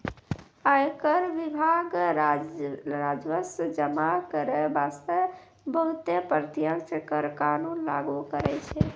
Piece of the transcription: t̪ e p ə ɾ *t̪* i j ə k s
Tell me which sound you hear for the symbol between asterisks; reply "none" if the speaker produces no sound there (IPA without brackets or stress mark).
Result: t̪